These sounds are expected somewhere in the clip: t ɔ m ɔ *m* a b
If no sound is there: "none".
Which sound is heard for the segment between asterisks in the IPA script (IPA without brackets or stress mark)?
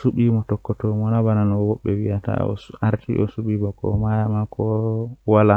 n